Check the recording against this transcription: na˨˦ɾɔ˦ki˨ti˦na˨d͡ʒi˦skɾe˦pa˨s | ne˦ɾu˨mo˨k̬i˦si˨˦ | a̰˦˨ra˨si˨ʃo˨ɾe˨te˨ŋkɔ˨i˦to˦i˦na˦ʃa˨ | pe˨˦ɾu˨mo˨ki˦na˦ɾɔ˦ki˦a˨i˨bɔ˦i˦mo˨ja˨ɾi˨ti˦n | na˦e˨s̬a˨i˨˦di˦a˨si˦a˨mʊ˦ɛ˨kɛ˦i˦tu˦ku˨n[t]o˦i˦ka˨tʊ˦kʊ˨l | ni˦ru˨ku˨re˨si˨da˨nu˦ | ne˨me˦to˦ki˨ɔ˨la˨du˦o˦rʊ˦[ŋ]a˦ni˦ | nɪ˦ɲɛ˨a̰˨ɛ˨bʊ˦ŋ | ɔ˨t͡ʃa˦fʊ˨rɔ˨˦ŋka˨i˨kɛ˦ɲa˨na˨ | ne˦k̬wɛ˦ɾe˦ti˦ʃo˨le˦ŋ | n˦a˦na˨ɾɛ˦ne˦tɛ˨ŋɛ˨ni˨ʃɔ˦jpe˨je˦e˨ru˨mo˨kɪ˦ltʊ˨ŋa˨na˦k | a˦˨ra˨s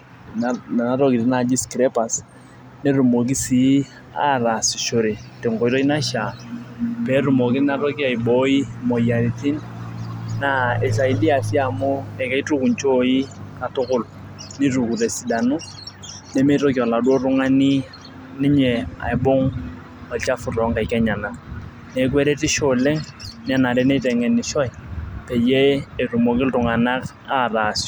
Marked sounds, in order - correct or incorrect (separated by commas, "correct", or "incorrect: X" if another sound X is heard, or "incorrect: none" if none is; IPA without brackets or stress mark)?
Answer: incorrect: t͡ʃ, correct